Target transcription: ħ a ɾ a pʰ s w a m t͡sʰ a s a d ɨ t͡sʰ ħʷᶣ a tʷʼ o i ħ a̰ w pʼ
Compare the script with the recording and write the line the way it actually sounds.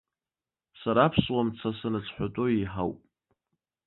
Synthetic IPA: s a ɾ a pʰ s w a m t͡sʰ a s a n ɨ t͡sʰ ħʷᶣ a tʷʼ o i ħ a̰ w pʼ